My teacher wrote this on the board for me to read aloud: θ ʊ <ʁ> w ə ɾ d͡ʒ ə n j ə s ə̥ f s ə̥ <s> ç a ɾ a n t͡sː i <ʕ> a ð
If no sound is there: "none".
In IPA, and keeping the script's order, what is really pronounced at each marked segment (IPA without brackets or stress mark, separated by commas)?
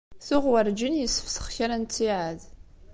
ʁ, χ, ʕ